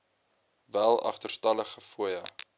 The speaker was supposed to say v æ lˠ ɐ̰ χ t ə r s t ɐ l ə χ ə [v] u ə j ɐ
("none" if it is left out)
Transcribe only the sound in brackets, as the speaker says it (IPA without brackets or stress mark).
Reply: f